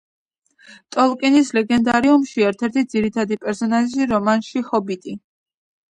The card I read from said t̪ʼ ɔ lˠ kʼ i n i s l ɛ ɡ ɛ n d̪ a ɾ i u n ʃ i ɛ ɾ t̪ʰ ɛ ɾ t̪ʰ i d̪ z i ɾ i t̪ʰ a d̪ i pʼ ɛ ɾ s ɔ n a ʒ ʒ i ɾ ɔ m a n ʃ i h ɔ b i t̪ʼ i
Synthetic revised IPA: t̪ʼ ɔ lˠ kʼ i n i s l ɛ ɡ ɛ n d̪ a ɾ i u m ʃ i ɛ ɾ t̪ʰ ɛ ɾ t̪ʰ i d̪ z i ɾ i t̪ʰ a d̪ i pʼ ɛ ɾ s ɔ n a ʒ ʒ i ɾ ɔ m a n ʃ i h ɔ b i t̪ʼ i